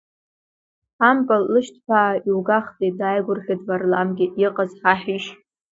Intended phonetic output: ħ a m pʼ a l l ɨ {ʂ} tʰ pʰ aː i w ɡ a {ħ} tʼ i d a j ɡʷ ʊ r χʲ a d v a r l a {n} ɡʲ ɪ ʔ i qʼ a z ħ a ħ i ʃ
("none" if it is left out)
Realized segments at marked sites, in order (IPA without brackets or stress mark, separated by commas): ʃ, χ, m